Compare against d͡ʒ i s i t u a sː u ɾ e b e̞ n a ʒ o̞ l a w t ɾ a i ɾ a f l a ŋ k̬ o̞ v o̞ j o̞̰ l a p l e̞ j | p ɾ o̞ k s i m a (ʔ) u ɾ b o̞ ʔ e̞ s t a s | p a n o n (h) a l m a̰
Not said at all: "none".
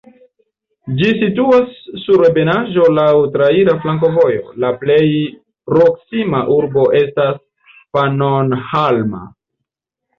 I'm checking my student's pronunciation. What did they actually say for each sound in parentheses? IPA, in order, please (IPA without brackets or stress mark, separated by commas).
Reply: ʔ, h